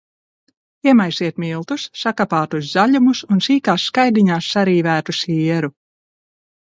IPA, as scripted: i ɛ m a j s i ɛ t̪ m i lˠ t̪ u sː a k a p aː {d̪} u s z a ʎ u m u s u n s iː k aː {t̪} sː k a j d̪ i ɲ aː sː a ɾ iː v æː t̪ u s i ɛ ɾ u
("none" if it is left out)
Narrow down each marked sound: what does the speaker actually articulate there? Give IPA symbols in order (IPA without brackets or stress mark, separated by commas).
t̪, none